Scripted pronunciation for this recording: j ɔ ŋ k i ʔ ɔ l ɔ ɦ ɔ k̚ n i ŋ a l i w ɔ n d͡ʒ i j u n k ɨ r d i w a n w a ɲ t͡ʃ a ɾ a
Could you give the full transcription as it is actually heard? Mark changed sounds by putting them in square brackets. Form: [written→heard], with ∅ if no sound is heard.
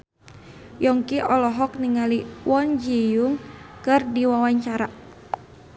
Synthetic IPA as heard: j ɔ ŋ k i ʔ ɔ l ɔ ɦ ɔ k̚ n i ŋ a l i w ɔ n d͡ʒ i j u [n→ŋ] k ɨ r d i w a [n→∅] w a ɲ t͡ʃ a ɾ a